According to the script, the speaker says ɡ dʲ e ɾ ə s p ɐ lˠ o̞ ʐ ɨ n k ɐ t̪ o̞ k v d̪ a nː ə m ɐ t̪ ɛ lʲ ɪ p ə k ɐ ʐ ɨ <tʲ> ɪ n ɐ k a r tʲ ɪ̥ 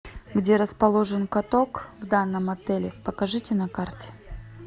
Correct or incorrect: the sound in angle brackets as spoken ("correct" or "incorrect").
correct